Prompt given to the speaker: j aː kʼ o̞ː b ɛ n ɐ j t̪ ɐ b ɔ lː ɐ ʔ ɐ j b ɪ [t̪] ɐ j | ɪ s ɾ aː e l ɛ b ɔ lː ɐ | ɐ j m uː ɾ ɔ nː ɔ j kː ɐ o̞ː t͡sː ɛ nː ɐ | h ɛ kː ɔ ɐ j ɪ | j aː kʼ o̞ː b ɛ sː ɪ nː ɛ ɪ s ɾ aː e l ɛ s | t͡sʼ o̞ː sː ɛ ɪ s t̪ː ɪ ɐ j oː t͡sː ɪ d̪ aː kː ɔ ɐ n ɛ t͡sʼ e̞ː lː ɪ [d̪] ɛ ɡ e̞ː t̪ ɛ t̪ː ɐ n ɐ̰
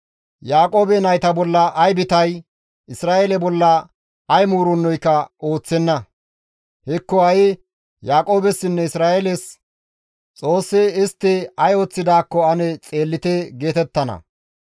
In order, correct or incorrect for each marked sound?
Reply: correct, incorrect

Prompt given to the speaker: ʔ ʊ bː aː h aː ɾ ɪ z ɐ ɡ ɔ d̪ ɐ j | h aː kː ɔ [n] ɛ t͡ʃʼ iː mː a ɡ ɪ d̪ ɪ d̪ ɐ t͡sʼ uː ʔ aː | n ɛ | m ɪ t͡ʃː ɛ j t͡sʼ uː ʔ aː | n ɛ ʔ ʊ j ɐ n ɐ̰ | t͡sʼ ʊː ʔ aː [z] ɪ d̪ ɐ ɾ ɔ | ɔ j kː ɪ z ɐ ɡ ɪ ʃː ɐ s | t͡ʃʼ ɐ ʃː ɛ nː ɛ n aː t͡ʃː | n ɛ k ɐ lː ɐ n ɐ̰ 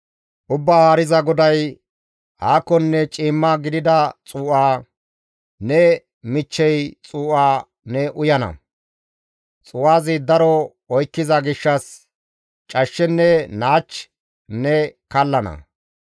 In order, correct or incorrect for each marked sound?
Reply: incorrect, correct

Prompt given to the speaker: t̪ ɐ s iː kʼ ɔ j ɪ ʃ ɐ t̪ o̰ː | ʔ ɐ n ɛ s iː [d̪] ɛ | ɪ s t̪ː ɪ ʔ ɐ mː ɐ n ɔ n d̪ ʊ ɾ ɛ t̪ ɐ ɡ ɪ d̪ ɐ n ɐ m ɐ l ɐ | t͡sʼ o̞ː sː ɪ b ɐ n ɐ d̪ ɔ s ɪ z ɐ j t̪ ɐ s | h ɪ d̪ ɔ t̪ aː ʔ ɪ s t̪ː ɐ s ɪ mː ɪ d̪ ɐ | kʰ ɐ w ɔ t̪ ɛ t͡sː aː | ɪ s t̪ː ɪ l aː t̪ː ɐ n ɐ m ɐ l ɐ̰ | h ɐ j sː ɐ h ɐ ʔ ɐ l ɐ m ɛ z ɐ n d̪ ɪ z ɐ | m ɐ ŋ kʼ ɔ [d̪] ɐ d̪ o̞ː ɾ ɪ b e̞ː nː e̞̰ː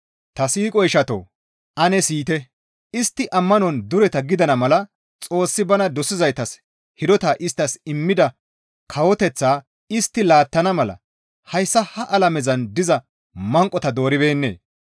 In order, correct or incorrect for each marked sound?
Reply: incorrect, incorrect

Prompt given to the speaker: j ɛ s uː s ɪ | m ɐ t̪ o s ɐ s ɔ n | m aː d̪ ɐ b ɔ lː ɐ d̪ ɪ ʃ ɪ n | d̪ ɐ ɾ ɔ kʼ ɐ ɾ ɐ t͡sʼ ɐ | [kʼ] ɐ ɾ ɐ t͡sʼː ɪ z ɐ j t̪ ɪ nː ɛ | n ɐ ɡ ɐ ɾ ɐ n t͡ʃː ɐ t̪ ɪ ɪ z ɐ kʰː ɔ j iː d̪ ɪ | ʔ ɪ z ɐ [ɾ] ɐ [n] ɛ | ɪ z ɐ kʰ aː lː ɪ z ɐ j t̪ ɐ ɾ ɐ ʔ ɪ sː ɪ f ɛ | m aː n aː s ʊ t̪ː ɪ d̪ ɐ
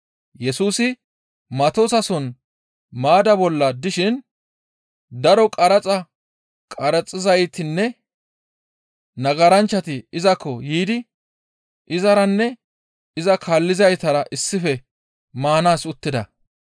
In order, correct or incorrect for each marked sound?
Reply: correct, correct, incorrect

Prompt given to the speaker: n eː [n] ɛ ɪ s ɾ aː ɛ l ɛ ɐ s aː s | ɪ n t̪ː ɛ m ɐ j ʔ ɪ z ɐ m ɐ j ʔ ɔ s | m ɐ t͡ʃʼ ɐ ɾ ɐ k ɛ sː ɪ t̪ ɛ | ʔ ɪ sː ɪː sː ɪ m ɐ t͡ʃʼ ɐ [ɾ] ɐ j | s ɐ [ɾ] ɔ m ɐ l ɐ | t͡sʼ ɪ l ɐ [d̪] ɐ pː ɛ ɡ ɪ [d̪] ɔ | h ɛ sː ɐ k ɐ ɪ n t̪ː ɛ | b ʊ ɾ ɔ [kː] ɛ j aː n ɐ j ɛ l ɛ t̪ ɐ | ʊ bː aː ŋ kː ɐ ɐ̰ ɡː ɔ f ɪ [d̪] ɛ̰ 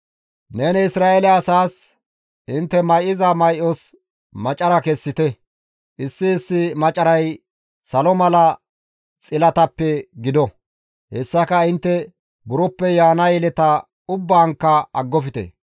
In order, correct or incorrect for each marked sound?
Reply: correct, correct, incorrect, incorrect, correct, incorrect, incorrect

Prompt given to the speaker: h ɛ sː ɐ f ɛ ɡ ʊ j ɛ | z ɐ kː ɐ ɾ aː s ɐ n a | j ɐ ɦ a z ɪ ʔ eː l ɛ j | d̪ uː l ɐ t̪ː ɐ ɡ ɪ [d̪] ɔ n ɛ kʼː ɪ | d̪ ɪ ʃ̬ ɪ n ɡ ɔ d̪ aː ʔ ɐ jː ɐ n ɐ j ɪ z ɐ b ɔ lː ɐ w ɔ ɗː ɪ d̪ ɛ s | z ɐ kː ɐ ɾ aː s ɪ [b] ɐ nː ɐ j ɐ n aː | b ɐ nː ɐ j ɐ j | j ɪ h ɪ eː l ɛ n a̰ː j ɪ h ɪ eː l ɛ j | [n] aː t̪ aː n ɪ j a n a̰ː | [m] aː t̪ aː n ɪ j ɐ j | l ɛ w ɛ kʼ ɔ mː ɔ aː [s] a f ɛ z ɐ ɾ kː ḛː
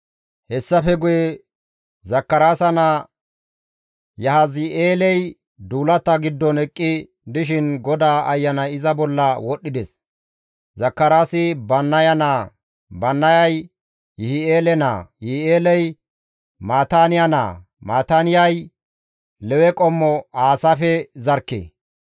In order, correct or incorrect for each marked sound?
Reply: incorrect, correct, incorrect, correct, correct

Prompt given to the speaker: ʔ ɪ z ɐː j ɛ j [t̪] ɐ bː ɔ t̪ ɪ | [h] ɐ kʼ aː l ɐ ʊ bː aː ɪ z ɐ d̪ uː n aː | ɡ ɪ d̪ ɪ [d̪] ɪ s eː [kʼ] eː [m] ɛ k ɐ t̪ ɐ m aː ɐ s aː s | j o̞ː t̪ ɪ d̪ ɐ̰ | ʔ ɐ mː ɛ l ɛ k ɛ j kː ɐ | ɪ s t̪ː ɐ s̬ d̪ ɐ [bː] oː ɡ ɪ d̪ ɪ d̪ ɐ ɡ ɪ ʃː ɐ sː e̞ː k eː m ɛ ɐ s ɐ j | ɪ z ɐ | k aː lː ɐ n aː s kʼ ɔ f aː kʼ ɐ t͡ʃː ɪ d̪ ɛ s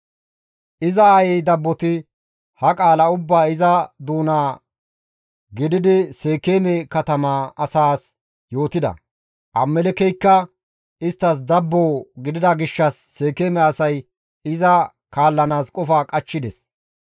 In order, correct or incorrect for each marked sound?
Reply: incorrect, correct, correct, incorrect, correct, correct

